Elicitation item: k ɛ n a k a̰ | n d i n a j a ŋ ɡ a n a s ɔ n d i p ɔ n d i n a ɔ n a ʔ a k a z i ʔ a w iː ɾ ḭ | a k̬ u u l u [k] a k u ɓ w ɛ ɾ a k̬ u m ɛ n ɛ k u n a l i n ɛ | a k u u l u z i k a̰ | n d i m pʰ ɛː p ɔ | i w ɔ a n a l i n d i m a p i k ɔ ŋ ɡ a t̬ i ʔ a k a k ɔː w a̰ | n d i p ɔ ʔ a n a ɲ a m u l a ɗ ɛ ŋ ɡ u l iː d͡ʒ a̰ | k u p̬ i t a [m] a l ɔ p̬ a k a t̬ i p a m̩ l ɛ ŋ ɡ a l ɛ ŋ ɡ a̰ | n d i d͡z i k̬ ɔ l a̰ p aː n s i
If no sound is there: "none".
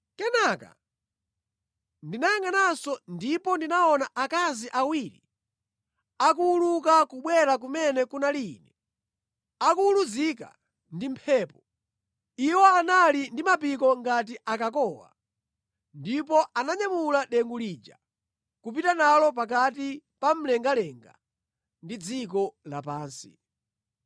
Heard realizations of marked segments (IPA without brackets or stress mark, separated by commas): k, n